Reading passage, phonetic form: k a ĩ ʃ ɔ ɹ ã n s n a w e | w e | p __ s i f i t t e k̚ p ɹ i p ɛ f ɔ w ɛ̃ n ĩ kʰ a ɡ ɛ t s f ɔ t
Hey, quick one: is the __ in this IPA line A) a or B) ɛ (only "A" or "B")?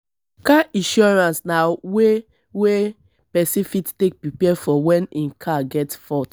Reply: B